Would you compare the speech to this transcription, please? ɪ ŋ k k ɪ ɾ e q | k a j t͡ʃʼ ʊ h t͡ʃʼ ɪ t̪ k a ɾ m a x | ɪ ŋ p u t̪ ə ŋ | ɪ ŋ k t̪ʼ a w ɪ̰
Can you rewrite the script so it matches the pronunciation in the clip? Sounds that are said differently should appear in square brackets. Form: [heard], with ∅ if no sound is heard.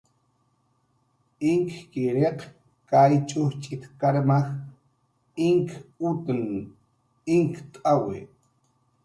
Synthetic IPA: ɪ ŋ k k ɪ ɾ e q | k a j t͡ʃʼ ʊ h t͡ʃʼ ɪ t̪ k a ɾ m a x | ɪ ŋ [k] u t̪ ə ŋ | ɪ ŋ k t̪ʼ a w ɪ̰